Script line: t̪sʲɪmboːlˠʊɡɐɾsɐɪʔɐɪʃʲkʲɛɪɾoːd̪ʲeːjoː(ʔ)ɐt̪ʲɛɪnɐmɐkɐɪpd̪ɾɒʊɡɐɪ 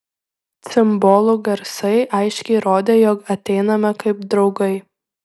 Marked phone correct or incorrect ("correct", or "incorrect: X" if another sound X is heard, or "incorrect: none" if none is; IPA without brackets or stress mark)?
incorrect: k